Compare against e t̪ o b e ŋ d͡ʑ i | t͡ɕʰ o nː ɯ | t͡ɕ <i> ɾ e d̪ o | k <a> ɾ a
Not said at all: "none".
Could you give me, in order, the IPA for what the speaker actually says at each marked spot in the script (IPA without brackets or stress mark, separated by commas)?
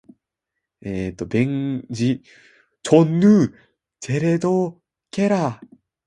e, e